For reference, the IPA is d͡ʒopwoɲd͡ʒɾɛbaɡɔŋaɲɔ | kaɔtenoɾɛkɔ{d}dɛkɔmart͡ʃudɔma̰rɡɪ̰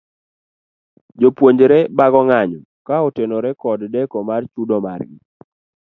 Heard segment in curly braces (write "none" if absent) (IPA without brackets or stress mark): d